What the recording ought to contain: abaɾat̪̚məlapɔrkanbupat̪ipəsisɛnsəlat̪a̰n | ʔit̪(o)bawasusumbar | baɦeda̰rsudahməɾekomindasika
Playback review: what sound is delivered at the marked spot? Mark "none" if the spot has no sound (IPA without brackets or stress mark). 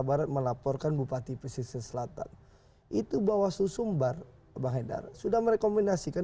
u